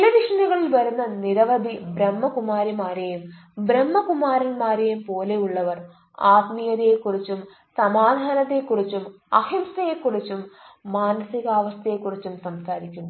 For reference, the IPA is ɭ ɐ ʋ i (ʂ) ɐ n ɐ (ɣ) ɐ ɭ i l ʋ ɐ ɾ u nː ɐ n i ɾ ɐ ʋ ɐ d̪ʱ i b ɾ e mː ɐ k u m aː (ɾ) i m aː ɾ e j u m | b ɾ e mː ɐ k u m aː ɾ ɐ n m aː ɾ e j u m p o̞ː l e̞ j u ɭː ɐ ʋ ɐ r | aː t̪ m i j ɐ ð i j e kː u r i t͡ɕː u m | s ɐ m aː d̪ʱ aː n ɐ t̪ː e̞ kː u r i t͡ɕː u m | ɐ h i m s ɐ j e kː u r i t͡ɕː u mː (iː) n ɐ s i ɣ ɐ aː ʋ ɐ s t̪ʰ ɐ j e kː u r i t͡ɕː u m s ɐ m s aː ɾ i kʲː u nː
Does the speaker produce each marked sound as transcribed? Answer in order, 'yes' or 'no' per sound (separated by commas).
yes, yes, yes, no